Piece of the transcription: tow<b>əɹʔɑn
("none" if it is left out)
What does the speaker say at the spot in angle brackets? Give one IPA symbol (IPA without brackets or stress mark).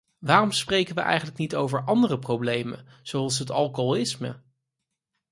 v